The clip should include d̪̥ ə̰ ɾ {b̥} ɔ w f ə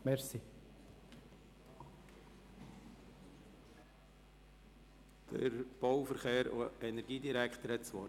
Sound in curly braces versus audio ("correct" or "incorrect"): correct